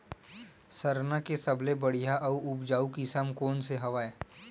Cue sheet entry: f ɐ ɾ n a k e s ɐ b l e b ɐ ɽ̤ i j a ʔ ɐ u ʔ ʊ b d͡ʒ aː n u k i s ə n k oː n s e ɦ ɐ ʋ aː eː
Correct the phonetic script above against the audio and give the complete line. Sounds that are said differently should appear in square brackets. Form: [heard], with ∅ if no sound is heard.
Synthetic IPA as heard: [s] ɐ ɾ n a k e s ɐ b l e b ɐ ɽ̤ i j a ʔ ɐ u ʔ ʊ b d͡ʒ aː [∅] u k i s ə [m] k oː n s e ɦ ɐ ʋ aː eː